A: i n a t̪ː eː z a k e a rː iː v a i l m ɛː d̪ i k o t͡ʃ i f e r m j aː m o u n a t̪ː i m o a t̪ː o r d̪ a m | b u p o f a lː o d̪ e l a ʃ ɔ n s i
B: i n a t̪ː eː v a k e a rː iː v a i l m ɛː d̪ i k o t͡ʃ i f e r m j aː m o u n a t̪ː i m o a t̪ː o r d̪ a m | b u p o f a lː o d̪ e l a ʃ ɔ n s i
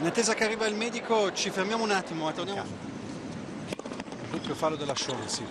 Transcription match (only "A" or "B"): A